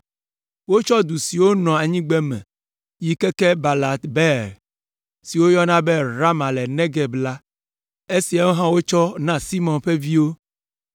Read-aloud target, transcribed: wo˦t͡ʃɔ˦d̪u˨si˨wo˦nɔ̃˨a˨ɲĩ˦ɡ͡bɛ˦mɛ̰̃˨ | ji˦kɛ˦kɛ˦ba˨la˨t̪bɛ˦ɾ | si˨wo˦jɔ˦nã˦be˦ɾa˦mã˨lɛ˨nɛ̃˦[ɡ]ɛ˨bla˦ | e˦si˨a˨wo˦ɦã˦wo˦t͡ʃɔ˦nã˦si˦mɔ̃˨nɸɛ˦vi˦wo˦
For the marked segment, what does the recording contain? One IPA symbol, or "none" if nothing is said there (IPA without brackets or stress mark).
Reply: ɡ